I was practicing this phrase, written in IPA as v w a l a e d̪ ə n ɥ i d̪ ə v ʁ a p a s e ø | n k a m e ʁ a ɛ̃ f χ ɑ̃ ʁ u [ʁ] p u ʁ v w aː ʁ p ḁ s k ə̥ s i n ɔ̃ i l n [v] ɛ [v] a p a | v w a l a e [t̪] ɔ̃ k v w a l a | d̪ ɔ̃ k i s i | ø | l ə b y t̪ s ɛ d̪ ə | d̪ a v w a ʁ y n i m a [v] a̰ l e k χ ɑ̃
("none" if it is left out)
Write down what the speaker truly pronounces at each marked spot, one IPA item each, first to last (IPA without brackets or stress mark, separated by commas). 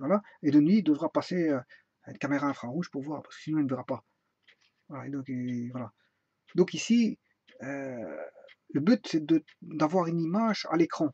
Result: ʒ, v, ʁ, d̪, ʒ